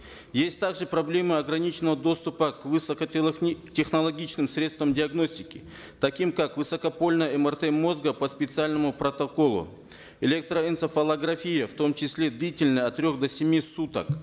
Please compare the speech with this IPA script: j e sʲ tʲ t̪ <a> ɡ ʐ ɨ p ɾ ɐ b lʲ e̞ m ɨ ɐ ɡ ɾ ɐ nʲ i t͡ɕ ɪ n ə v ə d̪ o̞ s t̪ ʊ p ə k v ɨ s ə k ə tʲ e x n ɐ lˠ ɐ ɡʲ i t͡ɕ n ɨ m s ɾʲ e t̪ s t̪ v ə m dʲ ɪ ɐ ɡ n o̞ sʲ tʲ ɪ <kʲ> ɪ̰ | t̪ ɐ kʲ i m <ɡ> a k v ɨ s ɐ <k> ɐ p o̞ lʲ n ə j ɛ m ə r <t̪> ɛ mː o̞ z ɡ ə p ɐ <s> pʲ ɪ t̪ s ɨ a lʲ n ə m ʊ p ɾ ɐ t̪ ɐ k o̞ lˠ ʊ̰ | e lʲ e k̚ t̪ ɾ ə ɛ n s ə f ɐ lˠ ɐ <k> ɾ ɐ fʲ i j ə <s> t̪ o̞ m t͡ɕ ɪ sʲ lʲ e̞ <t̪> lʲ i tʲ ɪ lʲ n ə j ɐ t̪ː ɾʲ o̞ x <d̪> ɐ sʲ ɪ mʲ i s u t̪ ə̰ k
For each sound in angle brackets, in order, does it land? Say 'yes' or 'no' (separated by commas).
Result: yes, yes, no, yes, yes, yes, no, no, no, yes